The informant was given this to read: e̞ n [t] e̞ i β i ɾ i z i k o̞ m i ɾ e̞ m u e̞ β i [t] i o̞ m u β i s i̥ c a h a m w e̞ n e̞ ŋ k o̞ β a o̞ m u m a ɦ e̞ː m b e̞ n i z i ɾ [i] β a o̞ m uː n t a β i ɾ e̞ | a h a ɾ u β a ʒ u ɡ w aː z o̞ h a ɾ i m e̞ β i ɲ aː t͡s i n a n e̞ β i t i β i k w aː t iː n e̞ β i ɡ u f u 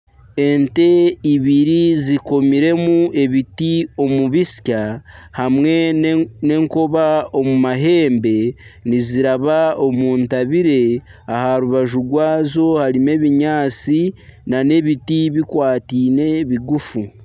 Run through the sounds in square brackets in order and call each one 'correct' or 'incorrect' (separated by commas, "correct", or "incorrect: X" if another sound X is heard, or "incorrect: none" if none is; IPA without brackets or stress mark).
correct, correct, incorrect: a